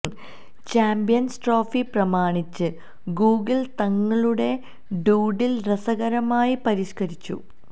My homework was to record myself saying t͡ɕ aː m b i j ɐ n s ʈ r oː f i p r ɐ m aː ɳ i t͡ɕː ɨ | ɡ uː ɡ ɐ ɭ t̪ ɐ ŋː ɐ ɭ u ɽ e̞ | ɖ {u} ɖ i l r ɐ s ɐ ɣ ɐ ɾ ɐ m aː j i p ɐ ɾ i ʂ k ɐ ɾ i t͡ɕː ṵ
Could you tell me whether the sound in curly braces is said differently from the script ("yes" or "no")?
yes